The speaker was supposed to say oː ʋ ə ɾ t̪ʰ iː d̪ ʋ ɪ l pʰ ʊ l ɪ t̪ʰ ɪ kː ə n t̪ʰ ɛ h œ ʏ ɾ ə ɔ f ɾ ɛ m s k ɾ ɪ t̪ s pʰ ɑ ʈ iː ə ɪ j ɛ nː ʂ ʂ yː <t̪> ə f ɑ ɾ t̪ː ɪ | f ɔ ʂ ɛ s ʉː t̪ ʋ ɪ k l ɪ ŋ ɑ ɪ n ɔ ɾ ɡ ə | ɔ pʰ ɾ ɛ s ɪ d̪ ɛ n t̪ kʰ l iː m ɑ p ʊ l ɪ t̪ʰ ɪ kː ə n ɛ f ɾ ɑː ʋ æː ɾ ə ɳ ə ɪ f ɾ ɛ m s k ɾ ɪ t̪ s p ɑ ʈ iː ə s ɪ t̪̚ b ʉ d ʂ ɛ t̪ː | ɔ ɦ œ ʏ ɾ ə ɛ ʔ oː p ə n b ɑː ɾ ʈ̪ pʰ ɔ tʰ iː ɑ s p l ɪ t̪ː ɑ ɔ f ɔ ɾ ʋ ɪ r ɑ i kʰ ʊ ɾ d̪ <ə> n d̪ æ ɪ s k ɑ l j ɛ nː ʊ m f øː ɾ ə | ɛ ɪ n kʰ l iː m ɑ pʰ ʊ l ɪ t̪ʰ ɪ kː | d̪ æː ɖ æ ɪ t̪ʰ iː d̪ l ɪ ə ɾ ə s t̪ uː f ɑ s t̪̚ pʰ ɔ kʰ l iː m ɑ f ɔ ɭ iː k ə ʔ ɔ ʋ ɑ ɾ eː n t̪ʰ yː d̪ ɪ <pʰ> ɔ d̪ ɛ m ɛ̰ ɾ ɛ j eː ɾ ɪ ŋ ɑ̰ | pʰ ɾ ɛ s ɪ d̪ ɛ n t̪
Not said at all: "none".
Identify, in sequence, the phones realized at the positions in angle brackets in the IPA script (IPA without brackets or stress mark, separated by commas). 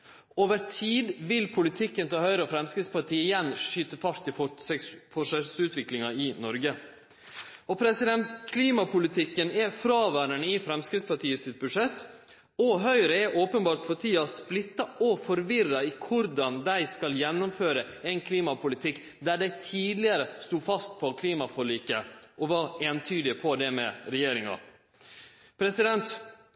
t̪, ɑ, pʰ